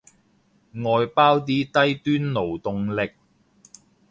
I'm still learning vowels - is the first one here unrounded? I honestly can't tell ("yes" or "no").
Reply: no